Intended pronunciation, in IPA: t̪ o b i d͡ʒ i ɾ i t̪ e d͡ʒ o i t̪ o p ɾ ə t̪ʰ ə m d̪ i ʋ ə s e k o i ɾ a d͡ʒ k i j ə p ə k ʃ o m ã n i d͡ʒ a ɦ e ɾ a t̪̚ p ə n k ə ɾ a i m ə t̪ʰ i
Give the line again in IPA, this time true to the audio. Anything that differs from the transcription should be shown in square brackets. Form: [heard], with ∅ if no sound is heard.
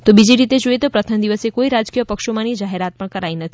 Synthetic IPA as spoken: t̪ o b i d͡ʒ i ɾ i t̪ e d͡ʒ o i t̪ o p ɾ ə t̪ʰ ə m d̪ i ʋ ə s e k o i ɾ a d͡ʒ k i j ə p ə k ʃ o m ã n i d͡ʒ a ɦ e ɾ a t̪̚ p ə [ɳ] k ə ɾ a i [n] ə t̪ʰ i